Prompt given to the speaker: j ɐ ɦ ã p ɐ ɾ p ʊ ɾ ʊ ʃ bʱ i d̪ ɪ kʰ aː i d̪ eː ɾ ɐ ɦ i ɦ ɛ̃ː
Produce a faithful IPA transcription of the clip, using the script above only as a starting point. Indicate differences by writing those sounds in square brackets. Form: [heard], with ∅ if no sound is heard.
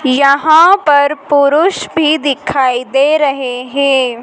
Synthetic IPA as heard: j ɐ ɦ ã p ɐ ɾ p ʊ ɾ ʊ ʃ bʱ i d̪ ɪ kʰ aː i d̪ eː ɾ ɐ ɦ [e] ɦ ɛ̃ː